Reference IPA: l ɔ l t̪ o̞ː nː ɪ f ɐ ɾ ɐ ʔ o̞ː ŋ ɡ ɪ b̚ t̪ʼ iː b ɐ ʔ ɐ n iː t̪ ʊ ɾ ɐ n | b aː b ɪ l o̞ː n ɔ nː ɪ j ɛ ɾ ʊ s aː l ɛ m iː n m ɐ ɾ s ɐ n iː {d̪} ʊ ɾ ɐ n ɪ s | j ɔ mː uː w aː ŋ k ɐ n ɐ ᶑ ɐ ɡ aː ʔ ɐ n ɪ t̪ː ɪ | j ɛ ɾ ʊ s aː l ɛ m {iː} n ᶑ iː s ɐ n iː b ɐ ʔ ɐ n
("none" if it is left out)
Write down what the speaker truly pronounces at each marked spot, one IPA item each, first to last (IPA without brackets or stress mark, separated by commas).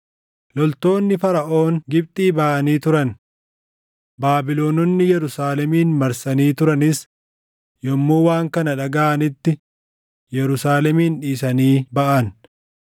t̪, iː